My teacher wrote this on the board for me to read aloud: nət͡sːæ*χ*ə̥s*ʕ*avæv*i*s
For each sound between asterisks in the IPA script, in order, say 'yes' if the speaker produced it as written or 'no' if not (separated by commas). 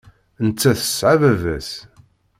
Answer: no, yes, no